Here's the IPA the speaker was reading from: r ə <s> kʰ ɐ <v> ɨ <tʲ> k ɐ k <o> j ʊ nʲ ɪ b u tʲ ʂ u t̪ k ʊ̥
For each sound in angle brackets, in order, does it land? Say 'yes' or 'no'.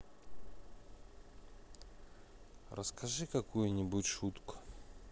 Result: yes, no, no, no

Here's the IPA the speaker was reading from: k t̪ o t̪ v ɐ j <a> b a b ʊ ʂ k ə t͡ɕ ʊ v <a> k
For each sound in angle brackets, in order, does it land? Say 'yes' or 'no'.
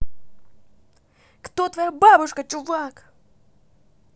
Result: yes, yes

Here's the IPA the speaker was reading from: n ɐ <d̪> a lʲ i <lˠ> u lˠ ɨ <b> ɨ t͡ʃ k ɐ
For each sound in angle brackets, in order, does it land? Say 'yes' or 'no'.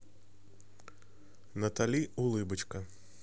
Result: no, no, yes

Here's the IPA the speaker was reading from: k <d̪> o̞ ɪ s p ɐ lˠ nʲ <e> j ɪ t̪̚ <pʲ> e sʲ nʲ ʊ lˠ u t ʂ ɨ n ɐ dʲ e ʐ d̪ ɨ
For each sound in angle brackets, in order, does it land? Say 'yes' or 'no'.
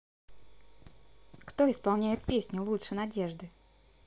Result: no, no, yes

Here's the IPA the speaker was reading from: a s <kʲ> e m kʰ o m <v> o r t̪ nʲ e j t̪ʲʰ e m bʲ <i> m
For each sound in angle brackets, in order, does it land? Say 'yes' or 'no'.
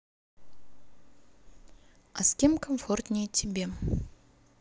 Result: yes, no, no

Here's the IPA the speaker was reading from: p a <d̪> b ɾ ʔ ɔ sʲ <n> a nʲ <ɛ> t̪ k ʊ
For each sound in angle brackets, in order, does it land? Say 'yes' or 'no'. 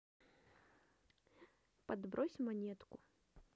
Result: yes, no, yes

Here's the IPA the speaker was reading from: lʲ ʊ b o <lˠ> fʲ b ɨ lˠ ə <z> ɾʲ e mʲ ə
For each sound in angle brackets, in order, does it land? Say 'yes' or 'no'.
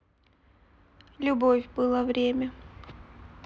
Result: no, no

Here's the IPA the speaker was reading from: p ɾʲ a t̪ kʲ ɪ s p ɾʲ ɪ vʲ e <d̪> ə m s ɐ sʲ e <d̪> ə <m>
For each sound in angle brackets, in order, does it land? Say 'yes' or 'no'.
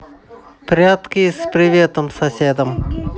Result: no, yes, yes

